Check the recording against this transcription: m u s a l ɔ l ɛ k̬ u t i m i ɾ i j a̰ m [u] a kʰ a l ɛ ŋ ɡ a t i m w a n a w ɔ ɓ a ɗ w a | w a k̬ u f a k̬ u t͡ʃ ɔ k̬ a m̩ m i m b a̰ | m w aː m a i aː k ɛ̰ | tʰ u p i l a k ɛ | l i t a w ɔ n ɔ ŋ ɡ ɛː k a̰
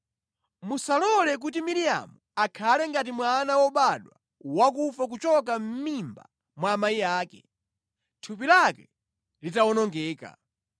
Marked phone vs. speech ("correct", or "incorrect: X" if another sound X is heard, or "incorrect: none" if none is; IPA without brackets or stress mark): correct